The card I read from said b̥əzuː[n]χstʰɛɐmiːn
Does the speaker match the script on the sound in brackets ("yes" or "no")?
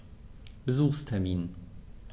no